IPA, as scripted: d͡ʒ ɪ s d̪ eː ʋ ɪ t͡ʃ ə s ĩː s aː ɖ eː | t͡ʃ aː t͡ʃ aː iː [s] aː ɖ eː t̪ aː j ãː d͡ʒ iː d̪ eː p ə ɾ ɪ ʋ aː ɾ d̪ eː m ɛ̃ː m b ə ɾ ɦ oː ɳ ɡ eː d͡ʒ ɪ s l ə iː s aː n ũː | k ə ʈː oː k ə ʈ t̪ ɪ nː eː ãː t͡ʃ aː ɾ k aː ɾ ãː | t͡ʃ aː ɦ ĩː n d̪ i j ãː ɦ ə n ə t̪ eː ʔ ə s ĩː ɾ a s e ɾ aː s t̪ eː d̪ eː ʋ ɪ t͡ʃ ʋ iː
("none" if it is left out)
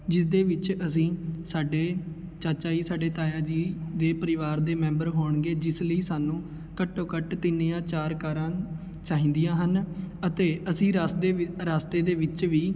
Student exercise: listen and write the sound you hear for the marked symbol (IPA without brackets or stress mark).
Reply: s